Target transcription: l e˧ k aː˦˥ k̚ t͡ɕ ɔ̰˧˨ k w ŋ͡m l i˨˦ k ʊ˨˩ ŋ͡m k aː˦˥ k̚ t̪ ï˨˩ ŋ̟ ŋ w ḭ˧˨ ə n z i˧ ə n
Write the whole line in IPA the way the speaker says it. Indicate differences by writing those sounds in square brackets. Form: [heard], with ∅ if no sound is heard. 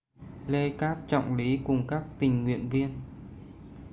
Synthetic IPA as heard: l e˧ k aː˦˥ [p̚] t͡ɕ ɔ̰˧˨ [∅] w ŋ͡m l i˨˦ k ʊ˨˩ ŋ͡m k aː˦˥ k̚ t̪ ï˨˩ ŋ̟ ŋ w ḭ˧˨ ə n [v] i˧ ə n